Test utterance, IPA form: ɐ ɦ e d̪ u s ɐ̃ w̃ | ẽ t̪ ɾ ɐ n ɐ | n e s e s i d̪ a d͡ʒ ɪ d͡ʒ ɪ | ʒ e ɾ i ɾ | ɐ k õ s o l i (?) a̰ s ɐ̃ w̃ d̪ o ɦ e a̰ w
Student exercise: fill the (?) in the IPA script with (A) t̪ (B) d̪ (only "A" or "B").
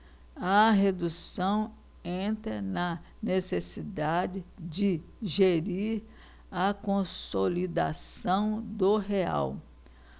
B